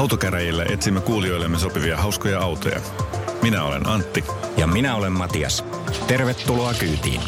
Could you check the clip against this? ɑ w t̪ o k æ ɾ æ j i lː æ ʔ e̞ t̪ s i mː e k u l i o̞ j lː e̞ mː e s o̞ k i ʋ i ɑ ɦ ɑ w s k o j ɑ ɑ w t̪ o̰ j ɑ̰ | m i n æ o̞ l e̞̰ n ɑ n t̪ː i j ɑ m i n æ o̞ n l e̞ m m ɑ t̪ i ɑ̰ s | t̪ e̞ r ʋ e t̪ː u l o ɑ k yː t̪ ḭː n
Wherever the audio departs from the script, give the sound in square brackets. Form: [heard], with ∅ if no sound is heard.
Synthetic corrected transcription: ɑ w t̪ o k æ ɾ æ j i lː æ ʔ e̞ t̪ s i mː e k [uː] l i o̞ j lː e̞ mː e s o̞ [p] i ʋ i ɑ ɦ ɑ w s k o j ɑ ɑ w t̪ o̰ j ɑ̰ | m i n æ o̞ l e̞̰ n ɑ n t̪ː i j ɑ m i n æ o̞ [∅] l e̞ m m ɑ t̪ i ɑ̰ s | t̪ e̞ r ʋ e t̪ː u l o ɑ k yː t̪ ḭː n